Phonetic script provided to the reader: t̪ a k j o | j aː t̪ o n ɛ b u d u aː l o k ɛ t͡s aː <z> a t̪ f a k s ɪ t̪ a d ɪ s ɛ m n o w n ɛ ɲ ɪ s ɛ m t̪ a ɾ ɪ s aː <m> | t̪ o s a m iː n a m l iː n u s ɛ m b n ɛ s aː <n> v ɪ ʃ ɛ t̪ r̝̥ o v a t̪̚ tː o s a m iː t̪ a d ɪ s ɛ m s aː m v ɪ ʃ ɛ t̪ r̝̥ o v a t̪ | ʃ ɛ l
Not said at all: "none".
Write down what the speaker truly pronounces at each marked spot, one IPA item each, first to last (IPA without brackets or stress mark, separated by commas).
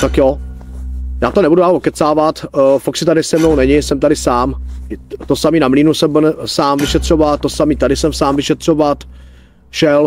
v, m, m